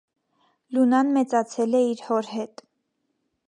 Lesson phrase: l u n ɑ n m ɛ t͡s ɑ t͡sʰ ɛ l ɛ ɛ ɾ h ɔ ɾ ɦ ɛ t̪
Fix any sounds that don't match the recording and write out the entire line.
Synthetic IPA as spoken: l u n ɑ n m ɛ t͡s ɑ t͡sʰ ɛ l ɛ i ɾ h ɔ ɾ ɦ ɛ t̪